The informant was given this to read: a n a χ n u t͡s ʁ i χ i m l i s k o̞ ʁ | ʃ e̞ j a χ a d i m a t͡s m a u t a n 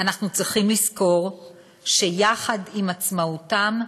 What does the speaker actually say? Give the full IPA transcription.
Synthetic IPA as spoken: a n a χ n u t͡s ʁ i χ i m l i s k o̞ ʁ | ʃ e̞ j a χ a d i m a t͡s m a u t a m